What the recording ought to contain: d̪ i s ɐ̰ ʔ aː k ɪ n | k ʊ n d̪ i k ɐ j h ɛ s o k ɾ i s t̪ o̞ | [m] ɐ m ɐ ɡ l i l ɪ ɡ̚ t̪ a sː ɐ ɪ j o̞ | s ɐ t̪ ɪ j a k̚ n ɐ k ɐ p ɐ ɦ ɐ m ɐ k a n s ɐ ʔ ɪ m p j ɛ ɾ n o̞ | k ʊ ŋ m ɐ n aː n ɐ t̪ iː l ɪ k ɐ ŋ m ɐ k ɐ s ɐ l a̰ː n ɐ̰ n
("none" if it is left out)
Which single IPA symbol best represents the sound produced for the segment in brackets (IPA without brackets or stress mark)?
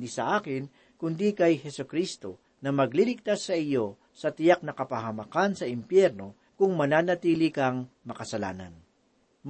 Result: n